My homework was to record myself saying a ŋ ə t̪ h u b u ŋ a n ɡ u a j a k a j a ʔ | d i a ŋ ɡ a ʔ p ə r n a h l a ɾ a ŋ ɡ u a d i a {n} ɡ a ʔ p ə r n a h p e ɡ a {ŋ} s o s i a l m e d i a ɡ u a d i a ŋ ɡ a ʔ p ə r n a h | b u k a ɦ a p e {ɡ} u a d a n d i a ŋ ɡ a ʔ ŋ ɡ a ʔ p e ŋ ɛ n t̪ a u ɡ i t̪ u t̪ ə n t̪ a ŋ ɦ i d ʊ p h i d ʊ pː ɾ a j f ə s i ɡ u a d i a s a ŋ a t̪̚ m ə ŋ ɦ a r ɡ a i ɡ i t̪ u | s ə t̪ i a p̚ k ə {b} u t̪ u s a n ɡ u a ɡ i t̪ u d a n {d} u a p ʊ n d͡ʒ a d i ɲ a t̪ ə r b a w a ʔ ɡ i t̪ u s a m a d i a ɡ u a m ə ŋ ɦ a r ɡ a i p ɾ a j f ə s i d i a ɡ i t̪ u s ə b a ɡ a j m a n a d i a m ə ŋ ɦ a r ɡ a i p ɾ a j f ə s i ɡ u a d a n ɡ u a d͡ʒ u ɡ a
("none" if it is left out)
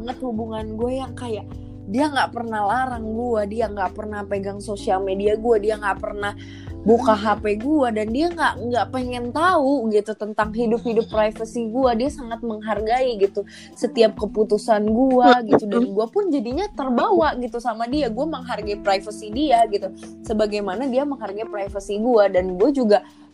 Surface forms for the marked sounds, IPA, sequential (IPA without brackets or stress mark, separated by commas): ŋ, ŋ, ɡ, p, ɡ